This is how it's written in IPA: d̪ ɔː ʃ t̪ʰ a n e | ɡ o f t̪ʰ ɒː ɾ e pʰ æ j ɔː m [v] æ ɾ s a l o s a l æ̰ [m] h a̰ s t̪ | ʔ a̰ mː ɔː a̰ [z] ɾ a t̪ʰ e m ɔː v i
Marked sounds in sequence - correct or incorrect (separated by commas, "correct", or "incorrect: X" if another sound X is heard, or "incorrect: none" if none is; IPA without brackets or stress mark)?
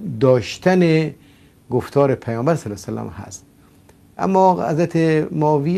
incorrect: b, correct, correct